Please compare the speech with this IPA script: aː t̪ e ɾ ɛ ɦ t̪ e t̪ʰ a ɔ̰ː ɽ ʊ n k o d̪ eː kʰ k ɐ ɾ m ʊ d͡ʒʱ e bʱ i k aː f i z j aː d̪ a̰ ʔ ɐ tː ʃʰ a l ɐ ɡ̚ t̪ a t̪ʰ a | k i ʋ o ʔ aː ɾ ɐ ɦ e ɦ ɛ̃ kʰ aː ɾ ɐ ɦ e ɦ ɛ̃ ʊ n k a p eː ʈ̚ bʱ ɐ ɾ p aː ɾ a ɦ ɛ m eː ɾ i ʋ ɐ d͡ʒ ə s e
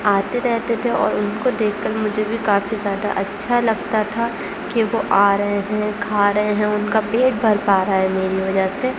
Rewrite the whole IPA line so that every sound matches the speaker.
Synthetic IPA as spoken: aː t̪ e ɾ ɛ ɦ t̪ e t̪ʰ e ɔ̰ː ɾ ʊ n k o d̪ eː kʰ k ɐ ɾ m ʊ d͡ʒʱ e bʱ i k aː f i z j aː d̪ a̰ ʔ ɐ tː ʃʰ a l ɐ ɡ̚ t̪ a t̪ʰ a | k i ʋ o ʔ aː ɾ ɐ ɦ e ɦ ɛ̃ kʰ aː ɾ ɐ ɦ e ɦ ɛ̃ ʊ n k a p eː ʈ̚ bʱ ɐ ɾ p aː ɾ a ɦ ɛ m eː ɾ i ʋ ɐ d͡ʒ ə s e

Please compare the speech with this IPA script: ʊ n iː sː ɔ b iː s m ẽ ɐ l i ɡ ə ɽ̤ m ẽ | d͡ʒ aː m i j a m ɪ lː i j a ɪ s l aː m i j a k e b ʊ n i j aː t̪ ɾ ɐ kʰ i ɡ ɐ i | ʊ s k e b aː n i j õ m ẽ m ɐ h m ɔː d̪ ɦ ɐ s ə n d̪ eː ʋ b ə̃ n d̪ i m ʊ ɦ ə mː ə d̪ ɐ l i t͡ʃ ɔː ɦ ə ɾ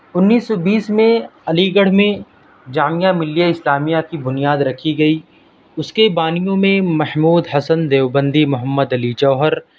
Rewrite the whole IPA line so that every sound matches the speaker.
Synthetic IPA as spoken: ʊ nː iː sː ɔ b iː s m ẽ ɐ l i ɡ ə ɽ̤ m ẽ | d͡ʒ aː m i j a m ɪ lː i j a ɪ s l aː m i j a k i b ʊ n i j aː d̪ ɾ ɐ kʰ i ɡ ɐ i | ʊ s k e b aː n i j õ m ẽ m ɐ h m uː d̪ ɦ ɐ s ə n d̪ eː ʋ b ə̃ n d̪ i m ʊ ɦ ə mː ə d̪ ɐ l i t͡ʃ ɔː ɦ ə ɾ

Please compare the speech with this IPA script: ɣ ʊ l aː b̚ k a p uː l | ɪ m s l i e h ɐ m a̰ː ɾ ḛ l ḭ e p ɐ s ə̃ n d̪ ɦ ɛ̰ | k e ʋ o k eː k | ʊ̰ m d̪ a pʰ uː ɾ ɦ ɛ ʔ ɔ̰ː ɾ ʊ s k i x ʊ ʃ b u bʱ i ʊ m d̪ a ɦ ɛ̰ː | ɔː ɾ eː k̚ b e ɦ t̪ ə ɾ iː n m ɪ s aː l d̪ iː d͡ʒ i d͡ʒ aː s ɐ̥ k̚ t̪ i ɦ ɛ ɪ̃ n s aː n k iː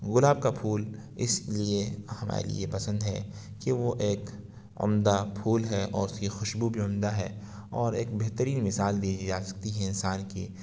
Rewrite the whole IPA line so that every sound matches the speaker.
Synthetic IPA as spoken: ɣ ʊ l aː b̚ k a pʰ uː l | ɪ s l i e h ɐ m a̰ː ɾ ḛ l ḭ e p ɐ s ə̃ n d̪ ɦ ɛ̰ | k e ʋ o ʔ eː k | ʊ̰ m d̪ a pʰ uː l ɦ ɛ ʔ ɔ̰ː ɾ ʊ s k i x ʊ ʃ b u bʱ i ʊ m d̪ a ɦ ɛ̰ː | ɔː ɾ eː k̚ b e ɦ t̪ ə ɾ iː n m ɪ s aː l d̪ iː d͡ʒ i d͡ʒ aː s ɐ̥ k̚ t̪ i ɦ ɛ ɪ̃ n s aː n k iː

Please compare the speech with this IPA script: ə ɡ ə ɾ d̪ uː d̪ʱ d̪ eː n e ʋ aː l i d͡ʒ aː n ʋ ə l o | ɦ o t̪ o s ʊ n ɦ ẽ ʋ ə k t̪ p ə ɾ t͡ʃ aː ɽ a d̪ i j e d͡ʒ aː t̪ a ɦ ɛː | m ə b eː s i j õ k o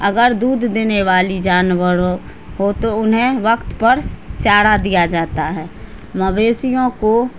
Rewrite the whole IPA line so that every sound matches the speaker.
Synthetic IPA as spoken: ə ɡ ə ɾ d̪ uː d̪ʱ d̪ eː n e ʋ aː l i d͡ʒ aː n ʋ ə ɾ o | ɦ o t̪ o ʊ n ɦ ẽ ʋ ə k t̪ p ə ɾ t͡ʃ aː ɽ a d̪ i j a d͡ʒ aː t̪ a ɦ ɛː | m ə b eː s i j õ k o

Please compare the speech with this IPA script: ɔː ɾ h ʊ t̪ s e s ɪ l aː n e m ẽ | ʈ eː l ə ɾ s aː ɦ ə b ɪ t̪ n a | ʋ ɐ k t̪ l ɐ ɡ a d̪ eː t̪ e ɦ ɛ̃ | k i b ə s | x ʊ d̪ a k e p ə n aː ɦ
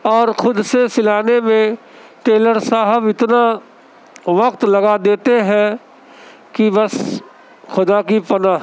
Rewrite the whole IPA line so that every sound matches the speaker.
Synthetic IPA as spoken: ɔː ɾ x ʊ d̪ s e s ɪ l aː n e m ẽ | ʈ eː l ə ɾ s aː ɦ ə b ɪ t̪ n a | ʋ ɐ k t̪ l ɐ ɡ a d̪ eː t̪ e ɦ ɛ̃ | k i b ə s | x ʊ d̪ a k i p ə n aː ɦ

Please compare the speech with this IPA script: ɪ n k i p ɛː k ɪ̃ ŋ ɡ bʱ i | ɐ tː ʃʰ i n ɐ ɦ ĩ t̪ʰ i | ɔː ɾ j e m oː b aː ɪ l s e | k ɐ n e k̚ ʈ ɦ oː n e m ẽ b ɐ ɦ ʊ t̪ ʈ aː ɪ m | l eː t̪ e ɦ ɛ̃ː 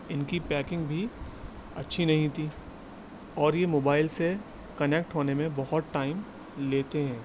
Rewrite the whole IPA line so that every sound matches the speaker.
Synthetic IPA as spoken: ɪ n k i p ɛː k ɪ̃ ŋ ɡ bʱ i | ɐ tː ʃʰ i n ɐ ɦ ĩ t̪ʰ i | ɔː ɾ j e m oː b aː ɪ l s e | k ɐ n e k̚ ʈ ɦ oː n e m ẽ b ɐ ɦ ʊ t̪ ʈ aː ɪ m | l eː t̪ e ɦ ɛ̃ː

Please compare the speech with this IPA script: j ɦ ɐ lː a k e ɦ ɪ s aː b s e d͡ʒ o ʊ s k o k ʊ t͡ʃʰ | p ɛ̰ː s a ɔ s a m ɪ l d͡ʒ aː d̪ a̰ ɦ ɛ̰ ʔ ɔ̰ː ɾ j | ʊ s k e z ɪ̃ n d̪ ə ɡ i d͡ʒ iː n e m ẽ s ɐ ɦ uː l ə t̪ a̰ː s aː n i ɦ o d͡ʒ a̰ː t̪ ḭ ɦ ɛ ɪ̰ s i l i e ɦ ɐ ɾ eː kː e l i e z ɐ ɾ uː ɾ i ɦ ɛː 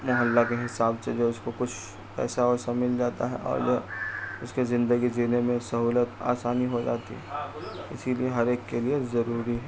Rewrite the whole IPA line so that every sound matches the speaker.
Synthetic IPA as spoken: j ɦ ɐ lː a k e ɦ ɪ s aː b s e d͡ʒ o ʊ s k o k ʊ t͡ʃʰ | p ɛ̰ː s a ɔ s a m ɪ l d͡ʒ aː t̪ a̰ ɦ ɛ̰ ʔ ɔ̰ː ɾ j | ʊ s k e z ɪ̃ n d̪ ə ɡ i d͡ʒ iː n e m ẽ s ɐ ɦ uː l ə t̪ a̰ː s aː n i ɦ o d͡ʒ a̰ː t̪ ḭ ɦ ɛ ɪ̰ s i l i e ɦ ɐ ɾ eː kː e l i e z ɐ ɾ uː ɾ i ɦ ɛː

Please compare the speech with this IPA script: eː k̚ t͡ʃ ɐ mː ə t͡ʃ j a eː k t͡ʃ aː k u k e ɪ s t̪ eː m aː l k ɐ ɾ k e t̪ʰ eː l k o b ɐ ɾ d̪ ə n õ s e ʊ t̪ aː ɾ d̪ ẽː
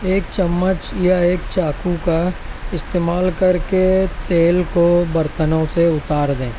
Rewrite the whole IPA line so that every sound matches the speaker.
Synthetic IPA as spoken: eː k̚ t͡ʃ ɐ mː ə t͡ʃ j a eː k t͡ʃ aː k u k a ɪ s t̪ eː m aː l k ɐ ɾ k e t̪ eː l k o b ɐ ɾ t̪ ə n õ s e ʊ t̪ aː ɾ d̪ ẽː

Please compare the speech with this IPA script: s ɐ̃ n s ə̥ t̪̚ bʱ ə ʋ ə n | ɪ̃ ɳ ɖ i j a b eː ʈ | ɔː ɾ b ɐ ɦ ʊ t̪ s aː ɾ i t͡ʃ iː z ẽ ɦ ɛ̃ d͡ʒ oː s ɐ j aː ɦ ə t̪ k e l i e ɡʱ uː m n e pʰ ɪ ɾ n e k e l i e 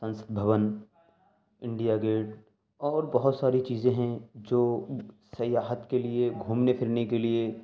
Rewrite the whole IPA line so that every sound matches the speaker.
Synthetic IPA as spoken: s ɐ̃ n s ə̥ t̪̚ bʱ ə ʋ ə n | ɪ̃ ɳ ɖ i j a ɡ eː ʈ | ɔː ɾ b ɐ ɦ ʊ t̪ s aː ɾ i t͡ʃ iː z ẽ ɦ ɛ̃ d͡ʒ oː s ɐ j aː ɦ ə t̪ k e l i e ɡʱ uː m n e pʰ ɪ ɾ n e k e l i e

